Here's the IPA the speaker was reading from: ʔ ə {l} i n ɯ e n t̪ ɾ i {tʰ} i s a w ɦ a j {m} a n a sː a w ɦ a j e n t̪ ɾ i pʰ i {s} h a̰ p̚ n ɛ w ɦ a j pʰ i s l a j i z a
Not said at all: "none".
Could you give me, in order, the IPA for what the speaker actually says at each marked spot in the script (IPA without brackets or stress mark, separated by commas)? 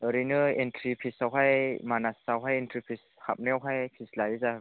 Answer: ɾ, pʰ, m, s